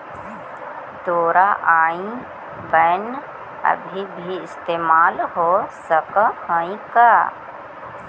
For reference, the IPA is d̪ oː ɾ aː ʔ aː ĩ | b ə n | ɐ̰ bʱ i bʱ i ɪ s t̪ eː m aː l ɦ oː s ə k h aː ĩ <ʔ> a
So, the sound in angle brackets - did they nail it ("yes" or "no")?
no